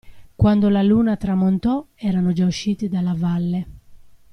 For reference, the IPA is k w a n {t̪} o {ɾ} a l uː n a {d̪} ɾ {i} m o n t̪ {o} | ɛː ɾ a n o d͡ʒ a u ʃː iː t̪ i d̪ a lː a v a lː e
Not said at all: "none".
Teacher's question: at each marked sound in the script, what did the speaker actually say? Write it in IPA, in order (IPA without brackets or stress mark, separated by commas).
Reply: d̪, l, t̪, a, ɔ